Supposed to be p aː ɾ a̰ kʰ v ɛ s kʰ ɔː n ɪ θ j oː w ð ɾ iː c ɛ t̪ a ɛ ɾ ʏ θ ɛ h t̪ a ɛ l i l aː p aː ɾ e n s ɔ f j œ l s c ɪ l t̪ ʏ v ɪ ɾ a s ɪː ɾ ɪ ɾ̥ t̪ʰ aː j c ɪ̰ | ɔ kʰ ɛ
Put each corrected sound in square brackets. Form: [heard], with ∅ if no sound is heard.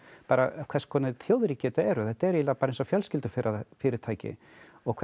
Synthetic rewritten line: p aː ɾ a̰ kʰ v ɛ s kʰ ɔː n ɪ θ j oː w ð ɾ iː c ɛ t̪ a ɛ ɾ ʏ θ ɛ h t̪ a ɛ [ɾ] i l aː p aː ɾ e n s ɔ f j œ l s c ɪ l t̪ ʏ [f] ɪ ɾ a [f] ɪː ɾ ɪ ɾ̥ t̪ʰ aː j c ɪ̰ | ɔ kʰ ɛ